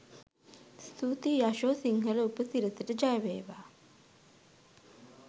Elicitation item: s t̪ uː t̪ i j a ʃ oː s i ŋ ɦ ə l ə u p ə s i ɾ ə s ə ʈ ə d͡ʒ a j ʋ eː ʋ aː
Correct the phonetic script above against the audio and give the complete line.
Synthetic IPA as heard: s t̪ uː t̪ i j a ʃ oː s i ŋ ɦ ə l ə u p ə s i ɾ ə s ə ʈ ə d͡ʒ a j ʋ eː ʋ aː

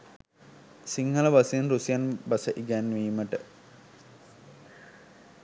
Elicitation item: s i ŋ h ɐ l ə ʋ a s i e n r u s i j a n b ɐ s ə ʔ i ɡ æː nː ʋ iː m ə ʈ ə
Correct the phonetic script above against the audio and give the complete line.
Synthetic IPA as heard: s i ŋ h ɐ l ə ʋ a s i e n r u s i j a n b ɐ s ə ʔ i ɡ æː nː ʋ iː m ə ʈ ə

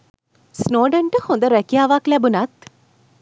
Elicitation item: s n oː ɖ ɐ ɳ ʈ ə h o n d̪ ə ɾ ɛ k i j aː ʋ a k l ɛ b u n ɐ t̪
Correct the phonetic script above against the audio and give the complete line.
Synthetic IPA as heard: s n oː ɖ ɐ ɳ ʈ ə h o n d̪ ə ɾ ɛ k i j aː ʋ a k l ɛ b u n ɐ t̪

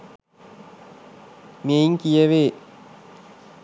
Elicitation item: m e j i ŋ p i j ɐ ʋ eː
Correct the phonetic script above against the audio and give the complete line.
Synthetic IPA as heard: m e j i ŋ k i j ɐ ʋ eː

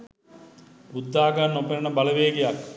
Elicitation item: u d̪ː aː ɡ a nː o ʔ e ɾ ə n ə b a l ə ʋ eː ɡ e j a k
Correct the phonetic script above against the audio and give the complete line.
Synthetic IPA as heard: u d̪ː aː ɡ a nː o p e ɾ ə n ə b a l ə ʋ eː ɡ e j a k

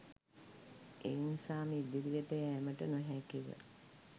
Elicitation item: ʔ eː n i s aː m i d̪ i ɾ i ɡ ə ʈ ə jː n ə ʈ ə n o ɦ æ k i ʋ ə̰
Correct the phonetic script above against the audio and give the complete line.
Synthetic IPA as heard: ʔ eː n i s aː m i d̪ i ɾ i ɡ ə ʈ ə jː m ə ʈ ə n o ɦ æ k i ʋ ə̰

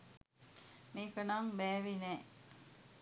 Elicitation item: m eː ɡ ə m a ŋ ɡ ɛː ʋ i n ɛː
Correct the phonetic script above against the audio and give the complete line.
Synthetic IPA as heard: m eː k ə n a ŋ b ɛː ʋ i n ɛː

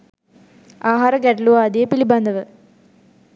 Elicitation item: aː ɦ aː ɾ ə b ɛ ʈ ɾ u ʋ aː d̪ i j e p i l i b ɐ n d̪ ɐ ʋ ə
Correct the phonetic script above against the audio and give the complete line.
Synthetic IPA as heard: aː ɦ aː ɾ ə ɡ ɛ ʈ l u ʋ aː d̪ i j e p i l i b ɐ n d̪ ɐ ʋ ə

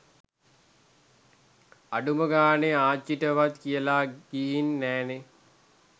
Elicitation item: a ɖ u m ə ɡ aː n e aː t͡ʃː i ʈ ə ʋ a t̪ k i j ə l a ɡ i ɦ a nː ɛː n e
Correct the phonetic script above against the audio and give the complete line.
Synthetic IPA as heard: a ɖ u m ə ɡ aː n e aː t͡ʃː i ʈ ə ʋ a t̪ k i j ə l a ɡ i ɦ i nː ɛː n e

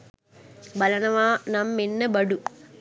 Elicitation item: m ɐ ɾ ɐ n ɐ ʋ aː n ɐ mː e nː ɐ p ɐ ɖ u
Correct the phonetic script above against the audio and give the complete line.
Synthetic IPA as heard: b ɐ l ɐ n ɐ ʋ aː n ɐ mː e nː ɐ b ɐ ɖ u

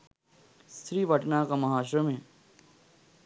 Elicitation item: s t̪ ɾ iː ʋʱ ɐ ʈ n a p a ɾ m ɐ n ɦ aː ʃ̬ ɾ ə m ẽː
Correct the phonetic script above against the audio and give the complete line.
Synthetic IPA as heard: s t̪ ɾ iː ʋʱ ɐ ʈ n a k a m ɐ ɦ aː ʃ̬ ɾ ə m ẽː

